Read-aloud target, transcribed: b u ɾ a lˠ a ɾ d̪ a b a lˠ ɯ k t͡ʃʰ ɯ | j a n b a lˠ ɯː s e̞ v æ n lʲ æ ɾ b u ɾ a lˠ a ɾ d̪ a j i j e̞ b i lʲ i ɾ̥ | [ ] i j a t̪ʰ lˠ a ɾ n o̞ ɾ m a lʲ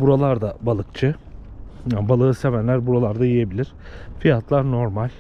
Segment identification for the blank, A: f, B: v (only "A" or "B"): A